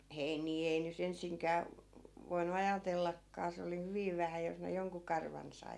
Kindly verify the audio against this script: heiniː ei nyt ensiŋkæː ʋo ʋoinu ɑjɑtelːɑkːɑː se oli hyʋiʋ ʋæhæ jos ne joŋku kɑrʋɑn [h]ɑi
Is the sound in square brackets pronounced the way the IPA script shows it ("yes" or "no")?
no